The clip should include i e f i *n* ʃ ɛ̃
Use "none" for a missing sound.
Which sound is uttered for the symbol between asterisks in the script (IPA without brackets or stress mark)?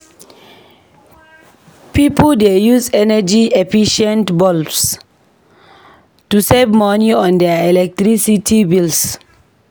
none